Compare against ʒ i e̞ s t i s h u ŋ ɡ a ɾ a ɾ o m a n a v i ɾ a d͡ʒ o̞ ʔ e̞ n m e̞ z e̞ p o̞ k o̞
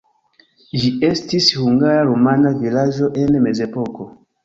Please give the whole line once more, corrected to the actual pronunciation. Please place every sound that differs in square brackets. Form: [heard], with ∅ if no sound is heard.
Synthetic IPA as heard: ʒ i e̞ s t i s h u ŋ ɡ a ɾ a ɾ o m a n a v i [l] a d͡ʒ o̞ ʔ e̞ n m e̞ z e̞ p o̞ k o̞

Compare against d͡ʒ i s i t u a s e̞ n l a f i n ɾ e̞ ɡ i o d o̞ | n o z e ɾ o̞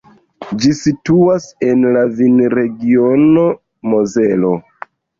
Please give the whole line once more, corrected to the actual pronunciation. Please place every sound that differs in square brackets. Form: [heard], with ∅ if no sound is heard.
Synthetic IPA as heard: d͡ʒ i s i t u a s e̞ n l a [v] i n ɾ e̞ ɡ i o [n] o̞ | [m] o z e [l] o̞

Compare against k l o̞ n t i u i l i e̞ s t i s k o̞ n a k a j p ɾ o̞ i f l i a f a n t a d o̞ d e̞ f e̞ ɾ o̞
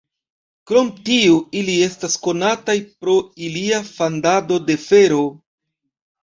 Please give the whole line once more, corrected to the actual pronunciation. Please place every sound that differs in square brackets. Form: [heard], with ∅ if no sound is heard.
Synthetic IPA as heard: k [ɾ] o̞ [m] t i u i l i e̞ s t [a] s k o̞ n a [t] a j p ɾ o̞ i [∅] l i a f a n [d] a d o̞ d e̞ f e̞ ɾ o̞

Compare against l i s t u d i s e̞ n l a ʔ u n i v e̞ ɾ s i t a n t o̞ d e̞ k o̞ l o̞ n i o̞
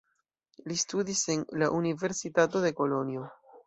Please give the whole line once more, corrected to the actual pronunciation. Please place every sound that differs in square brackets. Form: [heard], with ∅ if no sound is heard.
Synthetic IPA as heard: l i s t u d i s e̞ n l a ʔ u n i v e̞ ɾ s i t a [∅] t o̞ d e̞ k o̞ l o̞ n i o̞

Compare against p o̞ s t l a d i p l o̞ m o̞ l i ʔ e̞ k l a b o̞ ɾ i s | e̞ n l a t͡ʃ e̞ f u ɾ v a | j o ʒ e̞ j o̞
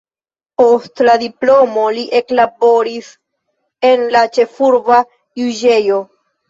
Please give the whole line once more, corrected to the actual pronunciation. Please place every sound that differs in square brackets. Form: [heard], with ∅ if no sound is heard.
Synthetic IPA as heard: p o̞ s t l a d i p l o̞ m o̞ l i ʔ e̞ k l a b o̞ ɾ i s | e̞ n l a t͡ʃ e̞ f u ɾ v a | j [u] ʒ e̞ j o̞

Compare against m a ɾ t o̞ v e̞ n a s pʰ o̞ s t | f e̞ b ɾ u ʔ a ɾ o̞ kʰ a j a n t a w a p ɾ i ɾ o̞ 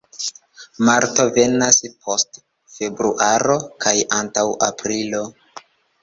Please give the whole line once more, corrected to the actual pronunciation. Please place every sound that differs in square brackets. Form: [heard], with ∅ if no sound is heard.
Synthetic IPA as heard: m a ɾ t o̞ v e̞ n a s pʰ o̞ s t | f e̞ b ɾ u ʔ a ɾ o̞ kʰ a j a n t a w a p ɾ i [l] o̞

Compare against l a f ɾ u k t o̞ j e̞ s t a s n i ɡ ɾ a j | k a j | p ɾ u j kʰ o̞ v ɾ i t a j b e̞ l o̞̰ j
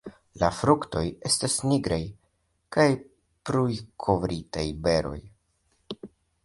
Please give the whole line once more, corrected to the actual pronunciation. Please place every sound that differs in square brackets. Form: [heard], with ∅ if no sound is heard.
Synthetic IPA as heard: l a f ɾ u k t o̞ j e̞ s t a s n i ɡ ɾ a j | k a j | p ɾ u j kʰ o̞ v ɾ i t a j b e̞ [ɾ] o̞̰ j

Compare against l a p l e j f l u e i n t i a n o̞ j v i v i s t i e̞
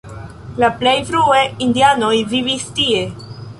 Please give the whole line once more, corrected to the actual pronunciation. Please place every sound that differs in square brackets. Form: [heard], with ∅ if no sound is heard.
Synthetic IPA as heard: l a p l e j f [ɾ] u e i n [d] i a n o̞ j v i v i s t i e̞

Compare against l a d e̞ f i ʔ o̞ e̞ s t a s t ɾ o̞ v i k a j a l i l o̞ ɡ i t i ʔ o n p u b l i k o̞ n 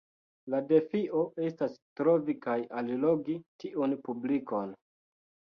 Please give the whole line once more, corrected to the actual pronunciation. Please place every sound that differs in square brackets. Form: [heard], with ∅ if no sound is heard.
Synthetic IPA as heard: l a d e̞ f i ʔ o̞ e̞ s t a s t ɾ o̞ v i k a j a l i l o̞ ɡ i t i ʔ [u] n p u b l i k o̞ n

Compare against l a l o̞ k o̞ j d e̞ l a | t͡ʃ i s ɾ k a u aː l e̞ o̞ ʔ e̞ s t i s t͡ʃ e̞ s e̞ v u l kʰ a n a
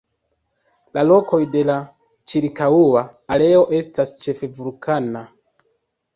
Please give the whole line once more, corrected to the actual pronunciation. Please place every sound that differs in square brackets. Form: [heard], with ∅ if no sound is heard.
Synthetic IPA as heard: l a l o̞ k o̞ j d e̞ l a | t͡ʃ i [∅] ɾ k a u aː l e̞ o̞ ʔ e̞ s t [a] s t͡ʃ e̞ [f] e̞ v u l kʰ a n a

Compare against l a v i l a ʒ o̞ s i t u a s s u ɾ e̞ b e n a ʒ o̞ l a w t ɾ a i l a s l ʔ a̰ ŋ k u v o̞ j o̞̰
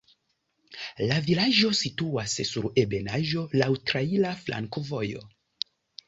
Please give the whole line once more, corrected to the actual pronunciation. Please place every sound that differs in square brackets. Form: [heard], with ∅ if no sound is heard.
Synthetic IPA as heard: l a v i l a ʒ o̞ s i t u a s s u ɾ e̞ b e n a ʒ o̞ l a w t ɾ a i l a [f] l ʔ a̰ ŋ k [o] v o̞ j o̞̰

